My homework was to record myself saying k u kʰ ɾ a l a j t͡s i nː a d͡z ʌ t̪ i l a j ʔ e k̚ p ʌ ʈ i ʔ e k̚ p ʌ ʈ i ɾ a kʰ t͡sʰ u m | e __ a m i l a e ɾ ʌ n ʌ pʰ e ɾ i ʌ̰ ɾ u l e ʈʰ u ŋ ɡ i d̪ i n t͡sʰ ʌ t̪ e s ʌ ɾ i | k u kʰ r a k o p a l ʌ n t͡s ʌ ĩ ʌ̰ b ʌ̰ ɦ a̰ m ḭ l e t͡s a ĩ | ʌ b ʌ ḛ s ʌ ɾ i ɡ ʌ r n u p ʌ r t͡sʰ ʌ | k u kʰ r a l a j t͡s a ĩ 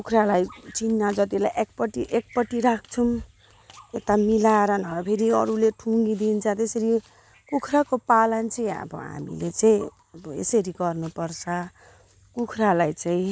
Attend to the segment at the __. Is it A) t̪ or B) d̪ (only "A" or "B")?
A